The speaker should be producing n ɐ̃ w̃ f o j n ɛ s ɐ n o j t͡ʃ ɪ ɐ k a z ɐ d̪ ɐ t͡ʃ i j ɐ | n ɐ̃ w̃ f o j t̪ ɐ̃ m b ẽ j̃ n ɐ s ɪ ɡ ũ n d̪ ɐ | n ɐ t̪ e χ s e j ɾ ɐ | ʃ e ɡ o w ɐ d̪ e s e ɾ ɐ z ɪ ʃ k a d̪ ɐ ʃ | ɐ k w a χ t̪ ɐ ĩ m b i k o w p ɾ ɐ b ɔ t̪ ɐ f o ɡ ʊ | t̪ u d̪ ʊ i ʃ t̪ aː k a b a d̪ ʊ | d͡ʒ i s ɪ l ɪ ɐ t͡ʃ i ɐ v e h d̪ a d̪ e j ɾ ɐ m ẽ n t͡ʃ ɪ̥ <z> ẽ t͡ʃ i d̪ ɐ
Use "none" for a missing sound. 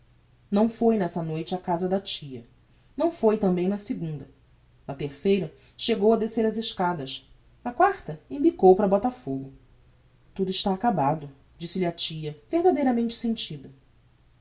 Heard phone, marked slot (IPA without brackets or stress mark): s